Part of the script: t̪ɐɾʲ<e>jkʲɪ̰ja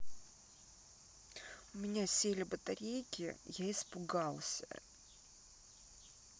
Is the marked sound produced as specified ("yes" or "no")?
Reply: yes